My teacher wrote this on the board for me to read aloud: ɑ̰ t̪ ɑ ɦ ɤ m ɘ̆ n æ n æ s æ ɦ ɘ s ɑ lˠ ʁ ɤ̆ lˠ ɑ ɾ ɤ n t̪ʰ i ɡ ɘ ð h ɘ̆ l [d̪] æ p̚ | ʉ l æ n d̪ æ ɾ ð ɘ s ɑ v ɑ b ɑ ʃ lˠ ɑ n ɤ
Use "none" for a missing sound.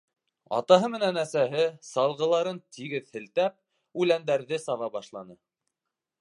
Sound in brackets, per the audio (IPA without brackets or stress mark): t̪